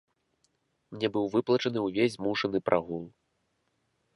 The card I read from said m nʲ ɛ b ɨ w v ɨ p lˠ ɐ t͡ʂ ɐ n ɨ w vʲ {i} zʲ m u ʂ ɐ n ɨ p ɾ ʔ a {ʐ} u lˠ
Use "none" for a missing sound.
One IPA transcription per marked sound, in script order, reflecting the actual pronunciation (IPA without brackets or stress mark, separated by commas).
e, ɣ